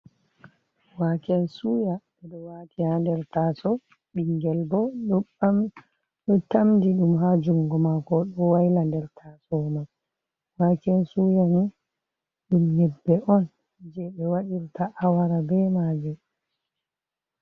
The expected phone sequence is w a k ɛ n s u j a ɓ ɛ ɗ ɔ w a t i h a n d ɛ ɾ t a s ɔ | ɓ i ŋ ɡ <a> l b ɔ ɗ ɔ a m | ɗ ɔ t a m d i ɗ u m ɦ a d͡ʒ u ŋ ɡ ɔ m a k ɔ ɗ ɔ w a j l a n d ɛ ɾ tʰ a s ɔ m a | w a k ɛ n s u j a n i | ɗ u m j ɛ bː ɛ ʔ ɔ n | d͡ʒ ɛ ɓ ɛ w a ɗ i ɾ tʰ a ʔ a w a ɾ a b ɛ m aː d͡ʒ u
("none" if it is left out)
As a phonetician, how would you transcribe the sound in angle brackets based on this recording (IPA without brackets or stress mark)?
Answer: ɛ